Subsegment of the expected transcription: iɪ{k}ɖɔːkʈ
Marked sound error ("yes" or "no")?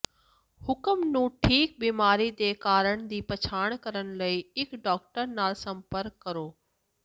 no